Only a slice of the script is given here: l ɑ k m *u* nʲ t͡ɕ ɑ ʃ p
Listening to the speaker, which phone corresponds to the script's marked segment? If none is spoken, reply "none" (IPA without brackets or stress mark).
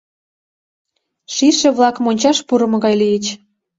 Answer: o